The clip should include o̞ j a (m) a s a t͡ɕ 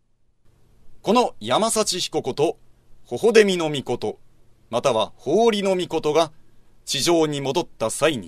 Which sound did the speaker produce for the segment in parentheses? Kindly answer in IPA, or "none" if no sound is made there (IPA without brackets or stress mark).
m